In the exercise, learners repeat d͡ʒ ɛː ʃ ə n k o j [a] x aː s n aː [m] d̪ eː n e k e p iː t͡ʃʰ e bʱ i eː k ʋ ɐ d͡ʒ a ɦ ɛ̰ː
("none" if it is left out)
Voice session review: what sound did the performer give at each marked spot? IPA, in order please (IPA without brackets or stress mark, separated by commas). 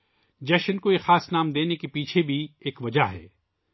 e, m